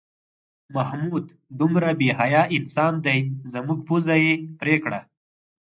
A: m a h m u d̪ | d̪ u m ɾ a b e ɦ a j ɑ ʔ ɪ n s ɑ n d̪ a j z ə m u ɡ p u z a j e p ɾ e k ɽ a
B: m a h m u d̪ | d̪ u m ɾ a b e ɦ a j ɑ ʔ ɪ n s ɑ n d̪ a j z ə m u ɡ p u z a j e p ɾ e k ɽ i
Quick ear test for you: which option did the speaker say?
A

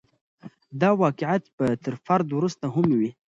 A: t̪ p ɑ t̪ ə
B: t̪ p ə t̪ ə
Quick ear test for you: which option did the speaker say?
B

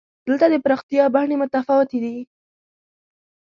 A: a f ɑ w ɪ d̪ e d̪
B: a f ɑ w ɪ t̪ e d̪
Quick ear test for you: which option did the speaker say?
B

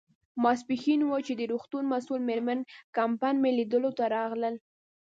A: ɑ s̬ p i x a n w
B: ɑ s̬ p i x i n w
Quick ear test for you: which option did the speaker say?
B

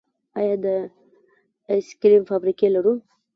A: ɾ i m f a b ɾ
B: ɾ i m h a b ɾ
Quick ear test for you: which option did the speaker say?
A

